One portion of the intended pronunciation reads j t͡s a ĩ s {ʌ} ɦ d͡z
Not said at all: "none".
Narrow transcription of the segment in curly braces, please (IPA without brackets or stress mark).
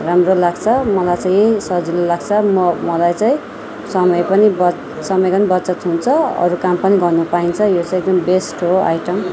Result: ʌ